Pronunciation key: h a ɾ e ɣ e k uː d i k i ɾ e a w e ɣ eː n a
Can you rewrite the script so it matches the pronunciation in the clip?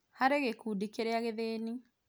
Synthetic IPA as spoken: h a ɾ e ɣ e k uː d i k e ɾ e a ɣ e ð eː n i